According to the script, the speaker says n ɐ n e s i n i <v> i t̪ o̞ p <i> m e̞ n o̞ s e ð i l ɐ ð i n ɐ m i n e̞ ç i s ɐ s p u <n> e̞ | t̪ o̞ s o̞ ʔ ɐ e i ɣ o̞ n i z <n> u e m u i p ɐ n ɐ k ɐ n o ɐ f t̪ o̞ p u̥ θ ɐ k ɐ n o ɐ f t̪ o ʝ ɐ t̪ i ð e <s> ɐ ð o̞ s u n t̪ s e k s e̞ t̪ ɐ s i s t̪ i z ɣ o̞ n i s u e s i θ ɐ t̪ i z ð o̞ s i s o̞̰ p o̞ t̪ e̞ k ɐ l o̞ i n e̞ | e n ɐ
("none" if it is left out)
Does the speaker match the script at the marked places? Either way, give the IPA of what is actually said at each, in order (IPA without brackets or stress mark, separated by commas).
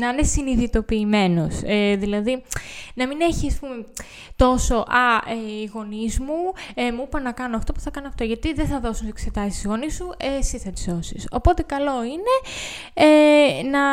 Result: ð, iː, m, m, θ